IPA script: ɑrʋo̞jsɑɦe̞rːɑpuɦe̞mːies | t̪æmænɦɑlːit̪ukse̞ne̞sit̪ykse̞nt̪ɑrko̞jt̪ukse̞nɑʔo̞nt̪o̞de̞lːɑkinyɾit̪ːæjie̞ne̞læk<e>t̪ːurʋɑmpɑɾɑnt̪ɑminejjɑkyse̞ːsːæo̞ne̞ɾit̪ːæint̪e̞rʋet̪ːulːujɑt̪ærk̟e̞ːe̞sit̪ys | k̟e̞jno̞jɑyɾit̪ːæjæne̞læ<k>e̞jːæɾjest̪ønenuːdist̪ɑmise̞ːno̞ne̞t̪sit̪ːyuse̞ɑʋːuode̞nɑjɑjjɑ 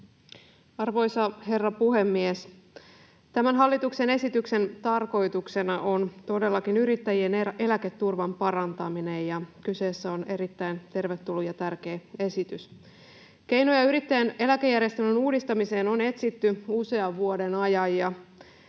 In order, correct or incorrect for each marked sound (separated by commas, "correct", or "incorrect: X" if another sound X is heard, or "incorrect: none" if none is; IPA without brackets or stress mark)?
correct, correct